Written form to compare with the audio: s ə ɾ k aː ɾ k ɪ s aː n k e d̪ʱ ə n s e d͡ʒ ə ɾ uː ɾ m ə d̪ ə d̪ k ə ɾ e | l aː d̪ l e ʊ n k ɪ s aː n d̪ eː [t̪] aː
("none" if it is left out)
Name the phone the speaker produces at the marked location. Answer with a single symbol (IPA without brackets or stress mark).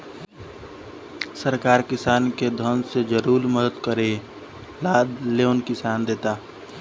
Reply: t̪